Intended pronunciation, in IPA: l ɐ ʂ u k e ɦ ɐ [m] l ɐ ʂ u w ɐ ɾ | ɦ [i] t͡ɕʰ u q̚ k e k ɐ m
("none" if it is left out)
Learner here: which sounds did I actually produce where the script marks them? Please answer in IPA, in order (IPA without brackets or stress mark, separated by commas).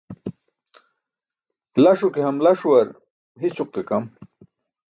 m, i